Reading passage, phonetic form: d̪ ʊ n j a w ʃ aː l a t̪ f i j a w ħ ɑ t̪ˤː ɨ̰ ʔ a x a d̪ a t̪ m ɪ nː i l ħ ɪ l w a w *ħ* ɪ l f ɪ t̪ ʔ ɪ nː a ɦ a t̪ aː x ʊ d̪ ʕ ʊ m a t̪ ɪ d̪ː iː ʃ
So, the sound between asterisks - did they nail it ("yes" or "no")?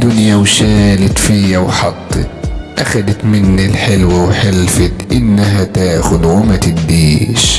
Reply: yes